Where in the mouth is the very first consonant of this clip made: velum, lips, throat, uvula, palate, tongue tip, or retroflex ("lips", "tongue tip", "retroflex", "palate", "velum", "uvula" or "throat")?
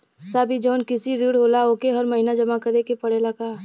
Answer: tongue tip